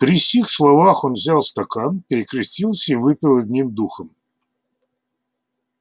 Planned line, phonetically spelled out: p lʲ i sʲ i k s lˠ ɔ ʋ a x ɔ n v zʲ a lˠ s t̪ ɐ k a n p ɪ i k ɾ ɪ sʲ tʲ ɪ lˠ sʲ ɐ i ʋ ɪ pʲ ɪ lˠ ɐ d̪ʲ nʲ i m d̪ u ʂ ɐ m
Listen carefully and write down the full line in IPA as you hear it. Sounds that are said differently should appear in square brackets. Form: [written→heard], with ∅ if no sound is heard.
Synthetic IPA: p [lʲ→ɾʲ] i sʲ i [k→x] s lˠ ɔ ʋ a x ɔ n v zʲ a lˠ s t̪ ɐ k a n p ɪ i k ɾ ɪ sʲ tʲ [ɪ→i] lˠ sʲ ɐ i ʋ ɪ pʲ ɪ lˠ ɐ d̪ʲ nʲ i m d̪ u [ʂ→x] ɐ m